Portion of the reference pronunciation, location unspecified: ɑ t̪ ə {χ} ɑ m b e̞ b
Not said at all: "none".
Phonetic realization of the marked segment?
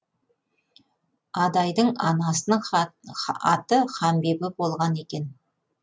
χ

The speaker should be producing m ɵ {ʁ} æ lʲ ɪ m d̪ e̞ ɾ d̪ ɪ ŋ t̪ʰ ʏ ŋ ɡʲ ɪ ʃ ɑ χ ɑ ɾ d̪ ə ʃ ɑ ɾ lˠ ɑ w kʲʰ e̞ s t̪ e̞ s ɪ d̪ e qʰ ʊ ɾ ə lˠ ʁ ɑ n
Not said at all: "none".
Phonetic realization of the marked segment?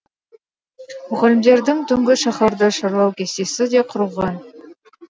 ʁ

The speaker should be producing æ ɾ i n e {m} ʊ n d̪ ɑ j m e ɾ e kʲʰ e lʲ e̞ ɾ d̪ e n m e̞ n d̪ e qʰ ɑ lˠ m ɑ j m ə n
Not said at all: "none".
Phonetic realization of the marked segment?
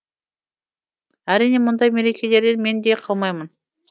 m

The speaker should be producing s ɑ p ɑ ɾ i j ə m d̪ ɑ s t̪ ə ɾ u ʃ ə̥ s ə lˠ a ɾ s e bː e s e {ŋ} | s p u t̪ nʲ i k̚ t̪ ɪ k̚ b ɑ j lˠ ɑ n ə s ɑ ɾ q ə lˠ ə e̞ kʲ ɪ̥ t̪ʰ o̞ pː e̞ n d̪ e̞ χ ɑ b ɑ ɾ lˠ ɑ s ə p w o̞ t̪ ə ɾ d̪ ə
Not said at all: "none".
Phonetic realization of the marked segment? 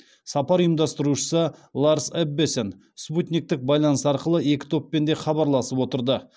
n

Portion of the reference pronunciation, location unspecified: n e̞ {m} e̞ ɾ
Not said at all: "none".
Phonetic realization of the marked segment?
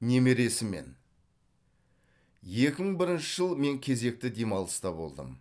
m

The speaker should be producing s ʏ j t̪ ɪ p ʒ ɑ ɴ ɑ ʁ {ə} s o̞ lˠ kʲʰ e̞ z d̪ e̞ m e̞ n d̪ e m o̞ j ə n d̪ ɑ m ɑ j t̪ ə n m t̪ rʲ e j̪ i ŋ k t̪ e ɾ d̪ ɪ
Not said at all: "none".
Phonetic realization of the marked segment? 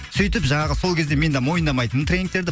ə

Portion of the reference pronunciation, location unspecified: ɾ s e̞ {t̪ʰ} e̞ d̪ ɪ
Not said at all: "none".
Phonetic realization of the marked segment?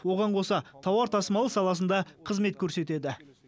t̪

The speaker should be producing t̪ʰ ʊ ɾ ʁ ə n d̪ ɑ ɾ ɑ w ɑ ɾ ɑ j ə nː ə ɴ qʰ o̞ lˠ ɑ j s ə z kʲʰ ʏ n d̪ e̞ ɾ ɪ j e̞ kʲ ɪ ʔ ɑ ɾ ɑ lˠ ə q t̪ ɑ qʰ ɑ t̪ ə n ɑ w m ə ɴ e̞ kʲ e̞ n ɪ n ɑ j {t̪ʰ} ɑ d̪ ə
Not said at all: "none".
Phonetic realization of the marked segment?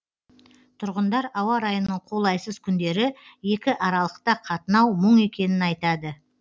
t̪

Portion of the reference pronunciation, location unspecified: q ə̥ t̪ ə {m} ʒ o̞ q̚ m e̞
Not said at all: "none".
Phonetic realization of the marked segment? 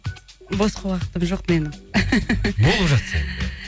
m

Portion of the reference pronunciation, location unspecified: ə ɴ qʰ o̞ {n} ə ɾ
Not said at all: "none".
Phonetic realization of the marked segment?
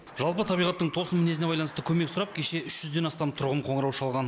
ɴ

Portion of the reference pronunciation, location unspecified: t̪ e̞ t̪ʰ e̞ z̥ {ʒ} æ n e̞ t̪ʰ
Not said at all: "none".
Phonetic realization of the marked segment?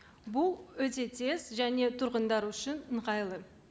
ʒ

